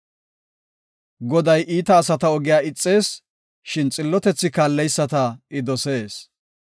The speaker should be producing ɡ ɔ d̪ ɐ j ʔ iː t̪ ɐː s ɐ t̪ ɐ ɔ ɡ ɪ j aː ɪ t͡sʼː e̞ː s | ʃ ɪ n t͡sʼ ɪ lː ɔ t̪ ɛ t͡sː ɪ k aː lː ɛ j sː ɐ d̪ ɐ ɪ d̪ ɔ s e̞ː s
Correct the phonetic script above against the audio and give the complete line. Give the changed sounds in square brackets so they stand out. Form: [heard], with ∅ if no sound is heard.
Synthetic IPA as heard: ɡ ɔ d̪ ɐ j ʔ iː t̪ ɐː s ɐ t̪ ɐ ɔ ɡ ɪ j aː ɪ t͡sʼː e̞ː s | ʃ ɪ n t͡sʼ ɪ lː ɔ t̪ ɛ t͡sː ɪ k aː lː ɛ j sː ɐ [t̪] ɐ ɪ d̪ ɔ s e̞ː s

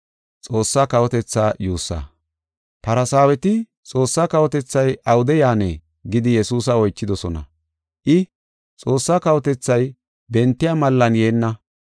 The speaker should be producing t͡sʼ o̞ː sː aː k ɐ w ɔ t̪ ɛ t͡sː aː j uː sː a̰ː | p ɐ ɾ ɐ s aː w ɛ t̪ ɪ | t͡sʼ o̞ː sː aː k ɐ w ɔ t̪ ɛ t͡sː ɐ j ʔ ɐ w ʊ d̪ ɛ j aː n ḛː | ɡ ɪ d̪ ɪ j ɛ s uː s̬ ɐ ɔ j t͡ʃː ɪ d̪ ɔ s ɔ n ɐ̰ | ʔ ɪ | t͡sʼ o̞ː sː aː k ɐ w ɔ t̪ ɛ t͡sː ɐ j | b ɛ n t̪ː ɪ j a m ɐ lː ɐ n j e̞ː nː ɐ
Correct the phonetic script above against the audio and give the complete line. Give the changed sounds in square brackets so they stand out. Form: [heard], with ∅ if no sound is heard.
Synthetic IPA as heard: t͡sʼ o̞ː sː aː k ɐ w ɔ t̪ ɛ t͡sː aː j uː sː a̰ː | p ɐ ɾ ɐ s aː w ɛ t̪ ɪ | t͡sʼ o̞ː sː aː k ɐ w ɔ t̪ ɛ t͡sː ɐ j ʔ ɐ w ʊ d̪ ɛ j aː n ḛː | ɡ ɪ d̪ ɪ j ɛ s uː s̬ ɐ ɔ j t͡ʃː ɪ d̪ ɔ s ɔ n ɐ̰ | ʔ ɪ | t͡sʼ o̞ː sː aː k ɐ w ɔ t̪ ɛ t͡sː ɐ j | b ɛ n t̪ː ɪ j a m ɐ lː ɐ n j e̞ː nː ɐ

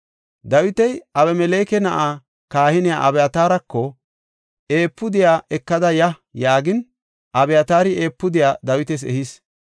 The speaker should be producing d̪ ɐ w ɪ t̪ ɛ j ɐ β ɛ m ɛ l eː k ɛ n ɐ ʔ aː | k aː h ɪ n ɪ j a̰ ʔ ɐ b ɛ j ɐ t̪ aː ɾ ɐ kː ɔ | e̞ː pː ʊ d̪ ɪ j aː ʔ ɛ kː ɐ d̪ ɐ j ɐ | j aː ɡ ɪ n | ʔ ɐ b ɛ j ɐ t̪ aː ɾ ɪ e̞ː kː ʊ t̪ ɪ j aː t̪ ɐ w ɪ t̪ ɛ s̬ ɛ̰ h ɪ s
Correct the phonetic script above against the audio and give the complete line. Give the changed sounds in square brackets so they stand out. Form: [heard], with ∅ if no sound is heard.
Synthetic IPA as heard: d̪ ɐ w ɪ t̪ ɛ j ɐ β ɛ m ɛ l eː k ɛ n ɐ ʔ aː | k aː h ɪ n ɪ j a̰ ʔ ɐ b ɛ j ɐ t̪ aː ɾ ɐ kː ɔ | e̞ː pː ʊ d̪ ɪ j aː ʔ ɛ kː ɐ d̪ ɐ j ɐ | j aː ɡ ɪ n | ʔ ɐ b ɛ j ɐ t̪ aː ɾ ɪ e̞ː [pː] ʊ [d̪] ɪ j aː [d̪] ɐ w ɪ t̪ ɛ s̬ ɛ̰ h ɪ s

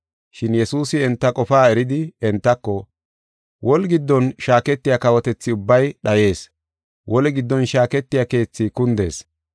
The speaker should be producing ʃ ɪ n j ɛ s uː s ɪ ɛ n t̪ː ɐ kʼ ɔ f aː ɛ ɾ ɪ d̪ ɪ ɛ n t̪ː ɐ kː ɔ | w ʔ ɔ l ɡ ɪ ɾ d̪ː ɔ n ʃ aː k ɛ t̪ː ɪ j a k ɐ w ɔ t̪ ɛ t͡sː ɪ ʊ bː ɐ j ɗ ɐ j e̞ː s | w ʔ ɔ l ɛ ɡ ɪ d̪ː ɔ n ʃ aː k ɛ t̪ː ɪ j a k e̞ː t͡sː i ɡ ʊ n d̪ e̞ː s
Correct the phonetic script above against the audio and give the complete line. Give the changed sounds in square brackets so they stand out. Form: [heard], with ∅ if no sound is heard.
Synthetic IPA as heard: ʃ ɪ n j ɛ s uː s ɪ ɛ n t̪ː ɐ kʼ ɔ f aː ɛ ɾ ɪ d̪ ɪ ɛ n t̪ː ɐ kː ɔ | w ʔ ɔ l ɡ ɪ [∅] d̪ː ɔ n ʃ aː k ɛ t̪ː ɪ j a k ɐ w ɔ t̪ ɛ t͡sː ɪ ʊ bː ɐ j ɗ ɐ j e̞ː s | w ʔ ɔ l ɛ ɡ ɪ d̪ː ɔ n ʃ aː k ɛ t̪ː ɪ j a k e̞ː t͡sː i [k] ʊ n d̪ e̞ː s

